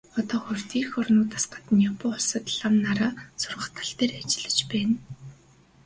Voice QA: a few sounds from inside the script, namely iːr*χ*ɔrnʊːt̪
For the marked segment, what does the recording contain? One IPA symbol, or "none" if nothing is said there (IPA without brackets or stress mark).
x